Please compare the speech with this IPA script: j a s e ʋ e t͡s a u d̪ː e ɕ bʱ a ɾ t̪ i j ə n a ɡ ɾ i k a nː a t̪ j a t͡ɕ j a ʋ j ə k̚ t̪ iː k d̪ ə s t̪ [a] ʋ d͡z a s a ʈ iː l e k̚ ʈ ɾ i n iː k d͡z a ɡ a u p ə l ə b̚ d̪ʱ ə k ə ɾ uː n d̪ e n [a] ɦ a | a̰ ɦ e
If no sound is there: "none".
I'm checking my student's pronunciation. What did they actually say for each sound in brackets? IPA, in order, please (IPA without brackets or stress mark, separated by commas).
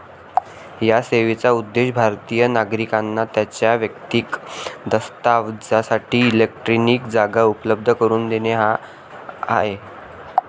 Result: a, e